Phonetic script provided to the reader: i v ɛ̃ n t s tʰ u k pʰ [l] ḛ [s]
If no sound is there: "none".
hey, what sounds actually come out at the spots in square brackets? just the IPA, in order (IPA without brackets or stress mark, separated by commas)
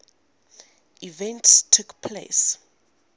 l, s